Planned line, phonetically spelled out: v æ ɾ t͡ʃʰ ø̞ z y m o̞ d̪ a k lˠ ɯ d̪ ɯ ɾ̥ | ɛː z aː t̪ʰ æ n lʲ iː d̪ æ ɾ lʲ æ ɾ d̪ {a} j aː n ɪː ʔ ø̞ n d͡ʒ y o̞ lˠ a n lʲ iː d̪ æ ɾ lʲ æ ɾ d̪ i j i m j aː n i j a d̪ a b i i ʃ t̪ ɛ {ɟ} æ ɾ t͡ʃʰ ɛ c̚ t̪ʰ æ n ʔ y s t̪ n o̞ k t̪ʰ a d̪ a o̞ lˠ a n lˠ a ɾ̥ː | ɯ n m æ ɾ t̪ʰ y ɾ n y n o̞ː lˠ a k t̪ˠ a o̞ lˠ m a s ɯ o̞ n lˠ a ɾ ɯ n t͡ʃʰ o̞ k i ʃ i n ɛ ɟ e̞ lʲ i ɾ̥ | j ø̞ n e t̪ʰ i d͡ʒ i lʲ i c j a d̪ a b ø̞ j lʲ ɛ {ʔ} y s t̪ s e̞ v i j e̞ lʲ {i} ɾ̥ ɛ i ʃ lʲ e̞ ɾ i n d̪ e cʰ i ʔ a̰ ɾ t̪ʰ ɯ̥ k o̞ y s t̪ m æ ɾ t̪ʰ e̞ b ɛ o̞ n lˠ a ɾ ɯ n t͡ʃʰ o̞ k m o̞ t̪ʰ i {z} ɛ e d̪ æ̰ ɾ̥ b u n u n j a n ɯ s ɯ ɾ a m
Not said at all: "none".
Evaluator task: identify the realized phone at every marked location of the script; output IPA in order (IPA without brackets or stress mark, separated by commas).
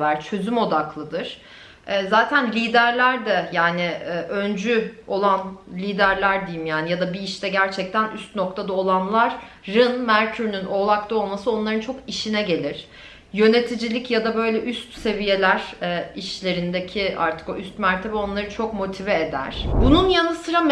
ɛ, ɟ, ʔ, æ, v